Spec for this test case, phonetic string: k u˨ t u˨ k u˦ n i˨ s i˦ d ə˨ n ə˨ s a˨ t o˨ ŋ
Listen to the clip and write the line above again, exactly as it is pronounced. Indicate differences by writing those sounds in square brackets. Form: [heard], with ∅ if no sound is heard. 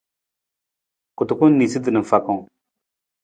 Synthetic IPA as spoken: k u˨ t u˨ k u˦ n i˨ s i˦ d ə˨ n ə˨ [f] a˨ [k] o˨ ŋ